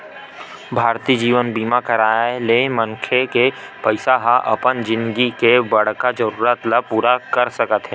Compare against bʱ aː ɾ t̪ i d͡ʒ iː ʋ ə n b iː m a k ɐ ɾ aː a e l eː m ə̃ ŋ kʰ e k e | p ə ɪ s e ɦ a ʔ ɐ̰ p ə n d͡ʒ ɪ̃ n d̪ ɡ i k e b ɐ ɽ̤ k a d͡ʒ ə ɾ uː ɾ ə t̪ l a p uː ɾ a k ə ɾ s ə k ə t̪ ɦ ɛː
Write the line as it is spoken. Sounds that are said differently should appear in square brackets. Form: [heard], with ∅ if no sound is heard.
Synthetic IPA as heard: bʱ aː ɾ t̪ i d͡ʒ iː ʋ ə n b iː m a k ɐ ɾ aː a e l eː m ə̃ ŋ kʰ e k e | p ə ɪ s [a] ɦ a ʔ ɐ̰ p ə n d͡ʒ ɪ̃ n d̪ ɡ i k e b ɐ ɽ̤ k a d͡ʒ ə ɾ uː ɾ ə t̪ l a p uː ɾ a k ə ɾ s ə k ə t̪ ɦ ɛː